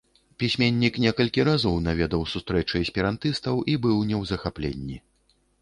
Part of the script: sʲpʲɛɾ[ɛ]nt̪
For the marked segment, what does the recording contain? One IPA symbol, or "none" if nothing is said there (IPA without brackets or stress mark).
a